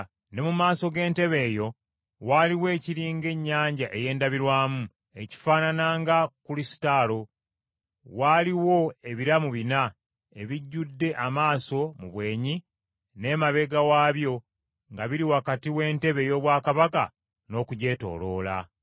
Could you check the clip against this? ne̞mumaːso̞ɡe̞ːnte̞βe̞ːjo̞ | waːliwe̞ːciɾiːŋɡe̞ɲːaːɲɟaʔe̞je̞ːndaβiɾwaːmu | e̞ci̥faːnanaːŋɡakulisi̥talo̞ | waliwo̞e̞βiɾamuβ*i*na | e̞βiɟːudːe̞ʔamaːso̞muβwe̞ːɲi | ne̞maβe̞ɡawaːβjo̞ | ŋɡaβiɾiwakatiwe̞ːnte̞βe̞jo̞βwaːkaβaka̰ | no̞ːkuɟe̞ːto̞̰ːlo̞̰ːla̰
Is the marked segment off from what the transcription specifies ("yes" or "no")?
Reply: no